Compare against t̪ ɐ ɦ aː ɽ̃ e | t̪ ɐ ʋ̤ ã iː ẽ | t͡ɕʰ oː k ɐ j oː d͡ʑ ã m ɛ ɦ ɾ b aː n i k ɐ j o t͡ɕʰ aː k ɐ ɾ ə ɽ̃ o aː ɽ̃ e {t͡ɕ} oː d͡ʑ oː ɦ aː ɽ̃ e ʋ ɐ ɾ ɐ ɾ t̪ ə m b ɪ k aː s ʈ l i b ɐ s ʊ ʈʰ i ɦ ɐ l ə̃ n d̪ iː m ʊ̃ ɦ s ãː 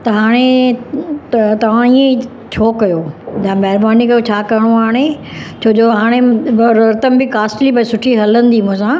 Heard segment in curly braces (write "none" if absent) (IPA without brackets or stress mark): t͡ɕʰ